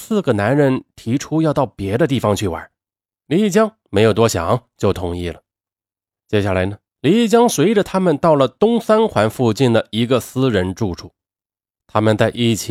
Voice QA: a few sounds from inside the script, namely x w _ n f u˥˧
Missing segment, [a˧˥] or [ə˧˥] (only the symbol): a˧˥